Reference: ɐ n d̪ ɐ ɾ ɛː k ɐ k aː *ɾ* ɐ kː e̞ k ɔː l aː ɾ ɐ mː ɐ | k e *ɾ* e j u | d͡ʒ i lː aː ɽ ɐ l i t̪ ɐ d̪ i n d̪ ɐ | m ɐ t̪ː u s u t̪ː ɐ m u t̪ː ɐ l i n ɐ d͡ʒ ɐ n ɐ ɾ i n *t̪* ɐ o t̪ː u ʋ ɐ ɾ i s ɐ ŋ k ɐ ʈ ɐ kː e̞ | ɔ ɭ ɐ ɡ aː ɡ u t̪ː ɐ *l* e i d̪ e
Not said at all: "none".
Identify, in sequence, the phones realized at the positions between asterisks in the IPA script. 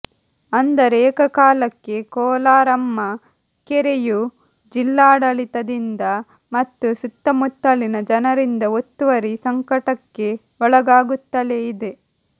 l, ɾ, d̪, l

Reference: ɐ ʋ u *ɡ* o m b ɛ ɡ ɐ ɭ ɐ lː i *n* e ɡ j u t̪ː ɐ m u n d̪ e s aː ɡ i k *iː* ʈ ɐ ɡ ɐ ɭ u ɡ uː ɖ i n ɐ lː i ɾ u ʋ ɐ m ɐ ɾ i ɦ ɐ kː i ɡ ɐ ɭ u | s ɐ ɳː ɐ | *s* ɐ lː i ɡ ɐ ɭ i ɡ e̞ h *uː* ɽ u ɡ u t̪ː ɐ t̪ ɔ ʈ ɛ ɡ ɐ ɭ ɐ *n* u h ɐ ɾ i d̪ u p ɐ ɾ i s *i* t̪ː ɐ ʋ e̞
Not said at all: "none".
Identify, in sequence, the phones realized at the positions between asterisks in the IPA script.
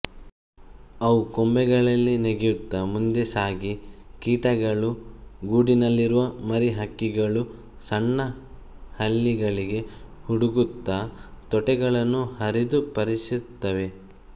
k, n, iː, h, u, nː, i

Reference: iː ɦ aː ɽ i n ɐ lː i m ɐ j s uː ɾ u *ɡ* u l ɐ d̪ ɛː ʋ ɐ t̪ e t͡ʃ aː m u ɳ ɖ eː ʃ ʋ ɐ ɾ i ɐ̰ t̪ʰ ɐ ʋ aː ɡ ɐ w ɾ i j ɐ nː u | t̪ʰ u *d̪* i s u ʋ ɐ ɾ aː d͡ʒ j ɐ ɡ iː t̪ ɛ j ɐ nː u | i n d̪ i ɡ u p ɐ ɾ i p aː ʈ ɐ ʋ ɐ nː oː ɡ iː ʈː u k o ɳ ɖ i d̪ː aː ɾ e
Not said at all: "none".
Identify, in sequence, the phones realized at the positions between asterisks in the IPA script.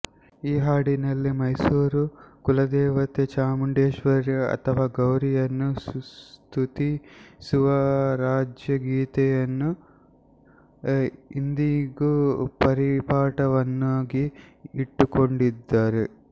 k, t̪

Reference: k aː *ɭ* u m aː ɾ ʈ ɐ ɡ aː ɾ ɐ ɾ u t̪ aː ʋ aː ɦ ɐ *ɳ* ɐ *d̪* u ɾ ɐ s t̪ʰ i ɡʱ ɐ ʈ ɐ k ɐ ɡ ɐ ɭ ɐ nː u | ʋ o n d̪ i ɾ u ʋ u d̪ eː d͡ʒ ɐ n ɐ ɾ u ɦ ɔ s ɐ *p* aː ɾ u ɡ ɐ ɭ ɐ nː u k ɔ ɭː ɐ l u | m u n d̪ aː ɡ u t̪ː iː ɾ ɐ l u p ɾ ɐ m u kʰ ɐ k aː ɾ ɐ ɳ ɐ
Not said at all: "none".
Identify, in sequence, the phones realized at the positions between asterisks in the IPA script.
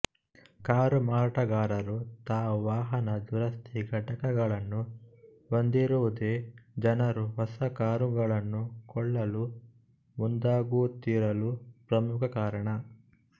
ɾ, n, d̪, k

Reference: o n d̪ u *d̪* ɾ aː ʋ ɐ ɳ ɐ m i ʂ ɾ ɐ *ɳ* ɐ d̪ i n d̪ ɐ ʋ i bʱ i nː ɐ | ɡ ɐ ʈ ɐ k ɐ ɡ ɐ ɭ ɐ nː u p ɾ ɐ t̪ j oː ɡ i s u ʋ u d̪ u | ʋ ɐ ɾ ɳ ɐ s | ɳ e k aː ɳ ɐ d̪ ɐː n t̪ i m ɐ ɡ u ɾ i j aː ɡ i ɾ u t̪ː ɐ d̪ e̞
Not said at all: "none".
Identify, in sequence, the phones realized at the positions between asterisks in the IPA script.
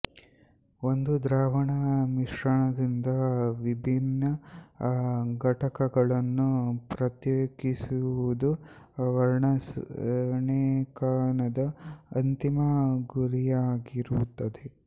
d̪, ɳ

